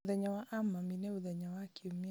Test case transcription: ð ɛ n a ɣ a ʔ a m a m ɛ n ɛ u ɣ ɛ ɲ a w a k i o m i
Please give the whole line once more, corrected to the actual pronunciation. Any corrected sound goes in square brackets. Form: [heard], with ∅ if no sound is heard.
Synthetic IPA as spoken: ð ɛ [ɲ] a [w] a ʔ a m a m [i] n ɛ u [ð] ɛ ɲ a w a k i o m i